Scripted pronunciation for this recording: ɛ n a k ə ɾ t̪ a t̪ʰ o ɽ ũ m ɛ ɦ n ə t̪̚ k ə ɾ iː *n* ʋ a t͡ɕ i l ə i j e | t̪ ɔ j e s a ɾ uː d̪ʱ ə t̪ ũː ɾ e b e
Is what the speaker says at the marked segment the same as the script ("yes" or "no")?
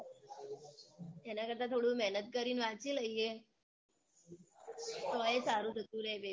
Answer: yes